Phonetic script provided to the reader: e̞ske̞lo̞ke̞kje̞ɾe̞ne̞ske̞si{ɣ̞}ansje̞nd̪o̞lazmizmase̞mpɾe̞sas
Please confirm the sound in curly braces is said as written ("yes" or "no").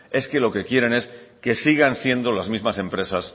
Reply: yes